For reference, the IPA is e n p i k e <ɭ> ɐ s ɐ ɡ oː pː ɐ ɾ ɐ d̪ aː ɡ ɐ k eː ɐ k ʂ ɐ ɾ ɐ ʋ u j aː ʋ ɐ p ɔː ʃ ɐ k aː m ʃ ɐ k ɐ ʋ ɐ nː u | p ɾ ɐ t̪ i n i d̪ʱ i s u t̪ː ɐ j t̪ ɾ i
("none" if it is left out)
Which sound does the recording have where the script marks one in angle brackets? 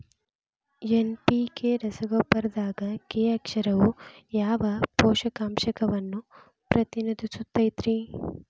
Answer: ɾ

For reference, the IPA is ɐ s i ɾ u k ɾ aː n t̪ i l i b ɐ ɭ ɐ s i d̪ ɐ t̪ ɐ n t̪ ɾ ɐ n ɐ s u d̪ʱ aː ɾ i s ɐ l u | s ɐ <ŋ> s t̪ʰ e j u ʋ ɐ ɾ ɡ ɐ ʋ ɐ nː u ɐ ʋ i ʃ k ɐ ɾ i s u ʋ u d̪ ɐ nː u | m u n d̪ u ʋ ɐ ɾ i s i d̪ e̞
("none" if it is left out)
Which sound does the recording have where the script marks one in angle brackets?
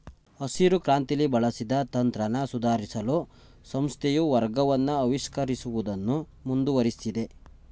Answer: m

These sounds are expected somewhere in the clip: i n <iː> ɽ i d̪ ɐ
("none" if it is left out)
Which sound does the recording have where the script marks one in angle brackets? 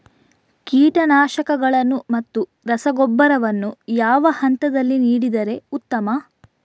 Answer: iː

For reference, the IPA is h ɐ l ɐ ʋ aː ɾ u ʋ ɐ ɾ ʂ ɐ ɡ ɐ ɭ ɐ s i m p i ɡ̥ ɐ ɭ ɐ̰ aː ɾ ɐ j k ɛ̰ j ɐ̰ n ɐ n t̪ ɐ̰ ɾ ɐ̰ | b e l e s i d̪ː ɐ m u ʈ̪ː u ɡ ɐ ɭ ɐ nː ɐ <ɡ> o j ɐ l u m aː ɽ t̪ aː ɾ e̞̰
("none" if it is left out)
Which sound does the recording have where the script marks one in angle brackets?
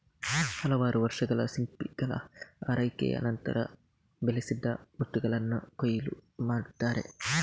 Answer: k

